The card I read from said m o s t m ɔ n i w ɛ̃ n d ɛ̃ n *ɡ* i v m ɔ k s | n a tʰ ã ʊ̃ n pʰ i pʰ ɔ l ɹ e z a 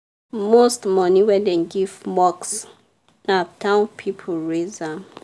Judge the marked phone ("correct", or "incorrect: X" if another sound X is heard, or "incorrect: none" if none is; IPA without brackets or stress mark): correct